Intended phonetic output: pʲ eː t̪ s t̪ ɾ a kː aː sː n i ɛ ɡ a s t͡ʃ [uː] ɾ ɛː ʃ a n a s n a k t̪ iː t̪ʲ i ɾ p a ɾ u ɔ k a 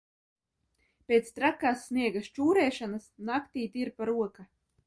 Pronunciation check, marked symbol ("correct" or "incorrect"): correct